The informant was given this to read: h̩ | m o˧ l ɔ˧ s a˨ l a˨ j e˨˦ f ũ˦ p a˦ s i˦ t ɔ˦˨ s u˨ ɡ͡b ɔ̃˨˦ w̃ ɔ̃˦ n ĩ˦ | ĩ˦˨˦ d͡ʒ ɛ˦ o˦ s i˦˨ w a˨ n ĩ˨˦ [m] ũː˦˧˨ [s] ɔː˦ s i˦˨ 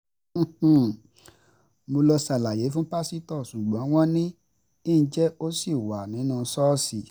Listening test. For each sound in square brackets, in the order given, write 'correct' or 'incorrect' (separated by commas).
incorrect, correct